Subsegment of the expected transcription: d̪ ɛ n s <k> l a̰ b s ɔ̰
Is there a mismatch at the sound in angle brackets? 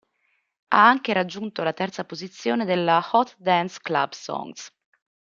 no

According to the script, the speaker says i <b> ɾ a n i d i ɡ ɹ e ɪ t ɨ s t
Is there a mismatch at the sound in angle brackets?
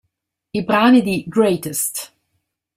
no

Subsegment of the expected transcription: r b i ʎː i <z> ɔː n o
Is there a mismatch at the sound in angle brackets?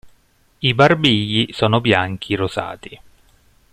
yes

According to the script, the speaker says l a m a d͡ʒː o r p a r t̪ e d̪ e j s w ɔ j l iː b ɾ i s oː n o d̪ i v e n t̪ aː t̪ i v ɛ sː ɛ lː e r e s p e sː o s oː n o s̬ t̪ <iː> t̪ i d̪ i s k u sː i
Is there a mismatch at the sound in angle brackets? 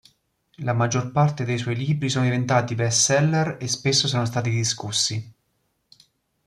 yes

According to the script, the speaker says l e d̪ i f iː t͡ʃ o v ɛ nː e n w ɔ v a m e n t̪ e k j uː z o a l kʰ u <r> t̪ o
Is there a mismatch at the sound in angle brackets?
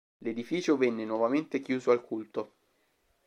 yes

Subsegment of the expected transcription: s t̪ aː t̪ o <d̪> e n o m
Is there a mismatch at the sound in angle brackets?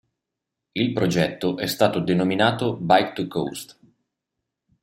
no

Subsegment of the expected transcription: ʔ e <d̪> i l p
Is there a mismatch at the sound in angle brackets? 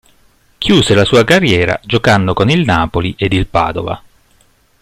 no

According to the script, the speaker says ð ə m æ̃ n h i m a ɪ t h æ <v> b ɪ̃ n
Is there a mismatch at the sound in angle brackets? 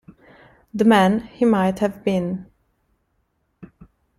no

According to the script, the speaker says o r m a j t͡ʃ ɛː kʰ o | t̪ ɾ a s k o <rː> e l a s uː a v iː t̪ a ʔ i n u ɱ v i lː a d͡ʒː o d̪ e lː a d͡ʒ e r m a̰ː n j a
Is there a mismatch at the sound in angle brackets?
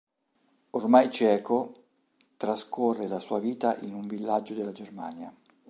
no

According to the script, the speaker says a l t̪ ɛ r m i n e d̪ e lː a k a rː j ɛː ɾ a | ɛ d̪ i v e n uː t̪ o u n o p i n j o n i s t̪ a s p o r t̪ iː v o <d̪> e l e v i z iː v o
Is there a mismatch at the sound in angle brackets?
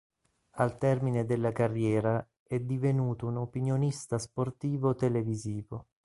yes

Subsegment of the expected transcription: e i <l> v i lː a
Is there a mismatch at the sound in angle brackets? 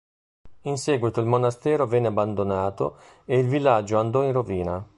no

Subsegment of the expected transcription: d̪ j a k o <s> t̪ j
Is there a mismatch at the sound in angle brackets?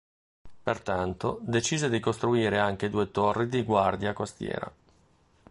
no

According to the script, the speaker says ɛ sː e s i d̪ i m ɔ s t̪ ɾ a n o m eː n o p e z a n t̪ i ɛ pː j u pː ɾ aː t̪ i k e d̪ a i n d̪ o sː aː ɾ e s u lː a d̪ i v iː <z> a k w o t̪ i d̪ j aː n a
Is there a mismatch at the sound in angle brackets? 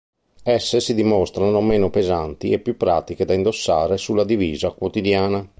no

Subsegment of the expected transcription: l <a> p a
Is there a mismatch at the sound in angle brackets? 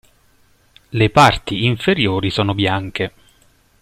yes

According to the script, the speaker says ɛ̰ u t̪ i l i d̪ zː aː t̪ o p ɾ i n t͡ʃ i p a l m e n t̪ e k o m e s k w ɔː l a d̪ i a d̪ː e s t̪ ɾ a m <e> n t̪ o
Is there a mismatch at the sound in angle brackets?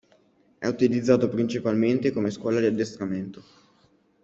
no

